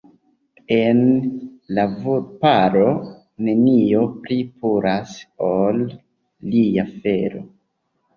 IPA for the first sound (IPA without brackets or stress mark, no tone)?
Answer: e̞